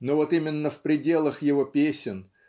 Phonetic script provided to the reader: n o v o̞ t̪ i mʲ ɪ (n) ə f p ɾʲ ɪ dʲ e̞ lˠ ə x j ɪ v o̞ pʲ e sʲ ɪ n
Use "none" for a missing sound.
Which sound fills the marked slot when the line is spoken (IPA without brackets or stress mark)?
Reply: nː